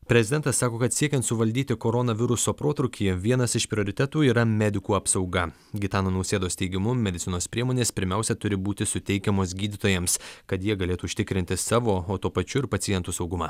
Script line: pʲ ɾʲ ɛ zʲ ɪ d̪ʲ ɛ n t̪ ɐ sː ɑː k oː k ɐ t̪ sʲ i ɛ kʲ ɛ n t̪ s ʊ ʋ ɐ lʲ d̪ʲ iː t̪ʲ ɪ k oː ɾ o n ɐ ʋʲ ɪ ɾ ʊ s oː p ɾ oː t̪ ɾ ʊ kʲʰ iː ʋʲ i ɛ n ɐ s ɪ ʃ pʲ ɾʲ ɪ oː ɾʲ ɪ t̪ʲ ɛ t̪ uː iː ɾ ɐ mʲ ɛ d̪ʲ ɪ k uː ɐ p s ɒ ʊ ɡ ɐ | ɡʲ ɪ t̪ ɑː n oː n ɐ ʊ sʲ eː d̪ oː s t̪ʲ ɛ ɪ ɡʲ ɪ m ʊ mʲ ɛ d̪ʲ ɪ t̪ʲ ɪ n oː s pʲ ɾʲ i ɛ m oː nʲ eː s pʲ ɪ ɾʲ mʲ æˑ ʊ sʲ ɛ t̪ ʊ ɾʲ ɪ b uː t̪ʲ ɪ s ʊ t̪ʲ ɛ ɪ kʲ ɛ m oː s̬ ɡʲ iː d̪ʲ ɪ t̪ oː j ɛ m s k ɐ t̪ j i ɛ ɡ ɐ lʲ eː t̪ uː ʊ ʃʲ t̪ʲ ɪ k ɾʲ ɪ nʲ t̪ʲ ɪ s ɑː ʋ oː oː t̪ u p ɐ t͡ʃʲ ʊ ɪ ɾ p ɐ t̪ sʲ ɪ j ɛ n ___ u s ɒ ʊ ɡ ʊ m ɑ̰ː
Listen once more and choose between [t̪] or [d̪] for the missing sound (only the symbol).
t̪